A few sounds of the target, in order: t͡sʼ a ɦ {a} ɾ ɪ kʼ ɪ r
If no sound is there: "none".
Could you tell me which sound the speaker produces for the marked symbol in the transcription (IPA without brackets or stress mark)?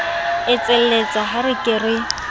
a